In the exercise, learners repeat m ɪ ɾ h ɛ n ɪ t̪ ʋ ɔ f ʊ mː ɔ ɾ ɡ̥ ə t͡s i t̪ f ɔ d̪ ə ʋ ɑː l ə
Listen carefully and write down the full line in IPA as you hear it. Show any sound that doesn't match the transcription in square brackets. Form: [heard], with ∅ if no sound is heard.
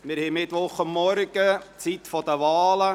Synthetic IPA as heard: m ɪ ɾ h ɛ [m] ɪ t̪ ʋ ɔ [χ] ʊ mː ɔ ɾ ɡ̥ ə t͡s i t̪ f ɔ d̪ ə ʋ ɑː l ə